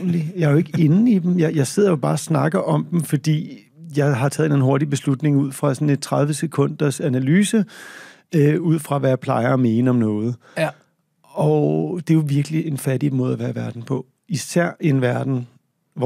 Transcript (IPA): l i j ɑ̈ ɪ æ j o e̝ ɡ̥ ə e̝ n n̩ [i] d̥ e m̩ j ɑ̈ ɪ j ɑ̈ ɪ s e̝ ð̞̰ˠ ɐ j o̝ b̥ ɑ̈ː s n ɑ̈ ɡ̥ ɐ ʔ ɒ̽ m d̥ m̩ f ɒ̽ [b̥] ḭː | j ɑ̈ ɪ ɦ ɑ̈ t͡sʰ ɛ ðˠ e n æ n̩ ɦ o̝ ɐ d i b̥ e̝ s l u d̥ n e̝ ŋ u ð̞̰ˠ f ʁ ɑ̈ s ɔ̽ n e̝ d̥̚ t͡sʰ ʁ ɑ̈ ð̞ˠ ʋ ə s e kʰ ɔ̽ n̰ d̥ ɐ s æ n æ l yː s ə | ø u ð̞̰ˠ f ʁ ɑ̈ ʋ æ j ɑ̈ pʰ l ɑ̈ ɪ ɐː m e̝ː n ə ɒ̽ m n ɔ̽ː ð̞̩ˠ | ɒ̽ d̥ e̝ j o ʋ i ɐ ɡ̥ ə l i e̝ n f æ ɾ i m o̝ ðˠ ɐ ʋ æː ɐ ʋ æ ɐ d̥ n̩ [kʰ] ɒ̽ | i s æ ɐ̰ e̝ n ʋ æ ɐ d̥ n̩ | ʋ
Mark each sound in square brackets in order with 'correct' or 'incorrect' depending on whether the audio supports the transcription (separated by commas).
correct, incorrect, incorrect